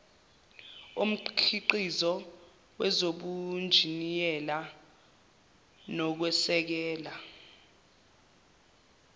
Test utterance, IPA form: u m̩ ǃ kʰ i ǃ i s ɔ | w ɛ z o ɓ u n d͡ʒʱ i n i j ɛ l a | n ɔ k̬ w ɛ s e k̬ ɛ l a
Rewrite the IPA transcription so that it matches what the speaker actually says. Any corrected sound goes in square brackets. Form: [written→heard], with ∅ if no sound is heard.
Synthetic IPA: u m̩ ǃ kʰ i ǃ i [s→z] ɔ | w ɛ z o ɓ u n d͡ʒʱ i n i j ɛ l a | n ɔ k̬ w ɛ s [e→ɛ] k̬ [ɛ→ɛː] l a